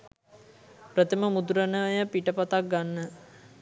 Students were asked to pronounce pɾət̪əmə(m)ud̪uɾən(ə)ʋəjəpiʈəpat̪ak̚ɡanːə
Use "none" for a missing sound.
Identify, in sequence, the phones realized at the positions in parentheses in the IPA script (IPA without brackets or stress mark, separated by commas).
m, ə